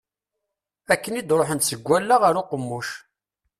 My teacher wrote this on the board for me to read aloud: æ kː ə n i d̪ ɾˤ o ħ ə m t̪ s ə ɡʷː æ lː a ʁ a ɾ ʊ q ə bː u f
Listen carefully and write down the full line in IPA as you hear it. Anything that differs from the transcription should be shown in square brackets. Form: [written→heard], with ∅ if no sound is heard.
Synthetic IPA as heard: æ kː ə n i d̪ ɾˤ o ħ ə [m→n] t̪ s ə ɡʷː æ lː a ʁ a ɾ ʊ q ə [bː→mː] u [f→ʃ]